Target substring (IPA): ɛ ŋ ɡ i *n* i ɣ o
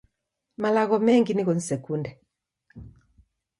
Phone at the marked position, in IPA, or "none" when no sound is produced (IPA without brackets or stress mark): n